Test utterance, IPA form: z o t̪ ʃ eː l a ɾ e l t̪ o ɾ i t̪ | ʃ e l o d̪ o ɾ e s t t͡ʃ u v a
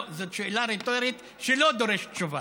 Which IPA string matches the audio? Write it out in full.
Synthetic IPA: z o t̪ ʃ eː l a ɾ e t̪ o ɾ i t̪ | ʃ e l o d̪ o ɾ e ʃ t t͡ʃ u v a